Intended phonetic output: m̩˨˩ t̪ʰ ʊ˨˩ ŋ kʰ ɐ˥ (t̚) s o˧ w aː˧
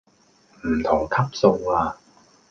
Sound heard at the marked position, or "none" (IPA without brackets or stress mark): p̚